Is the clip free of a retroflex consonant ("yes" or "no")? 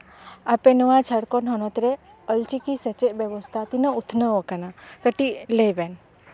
no